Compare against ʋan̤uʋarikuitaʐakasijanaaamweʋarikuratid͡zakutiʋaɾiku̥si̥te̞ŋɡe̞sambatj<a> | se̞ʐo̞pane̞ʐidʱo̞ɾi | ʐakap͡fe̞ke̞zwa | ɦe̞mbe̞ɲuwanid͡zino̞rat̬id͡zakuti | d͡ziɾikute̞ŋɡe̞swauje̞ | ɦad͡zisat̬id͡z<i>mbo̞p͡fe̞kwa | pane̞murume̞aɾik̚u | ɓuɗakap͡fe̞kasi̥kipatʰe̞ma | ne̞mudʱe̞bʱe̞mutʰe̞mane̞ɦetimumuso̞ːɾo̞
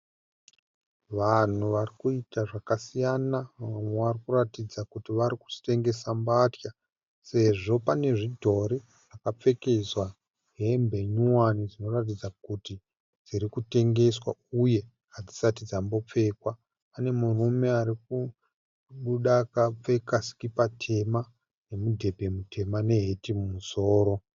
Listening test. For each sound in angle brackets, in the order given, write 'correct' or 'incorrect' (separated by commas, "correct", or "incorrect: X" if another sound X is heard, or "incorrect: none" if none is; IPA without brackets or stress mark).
correct, incorrect: a